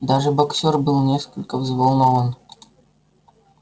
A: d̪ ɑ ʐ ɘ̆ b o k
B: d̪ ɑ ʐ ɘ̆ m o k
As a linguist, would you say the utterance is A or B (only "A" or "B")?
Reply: A